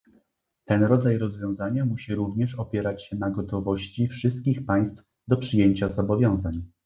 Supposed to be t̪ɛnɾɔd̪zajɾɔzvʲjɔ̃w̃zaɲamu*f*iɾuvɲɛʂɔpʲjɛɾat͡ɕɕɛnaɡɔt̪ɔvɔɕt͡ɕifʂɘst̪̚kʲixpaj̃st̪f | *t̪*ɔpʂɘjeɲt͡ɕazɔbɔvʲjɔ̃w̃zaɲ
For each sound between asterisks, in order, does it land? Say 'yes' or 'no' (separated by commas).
no, no